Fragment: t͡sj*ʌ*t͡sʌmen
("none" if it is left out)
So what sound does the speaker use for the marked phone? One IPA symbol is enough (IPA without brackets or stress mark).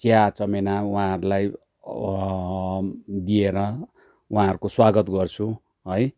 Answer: a